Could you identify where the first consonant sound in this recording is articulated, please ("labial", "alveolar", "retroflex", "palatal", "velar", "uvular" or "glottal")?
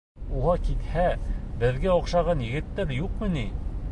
uvular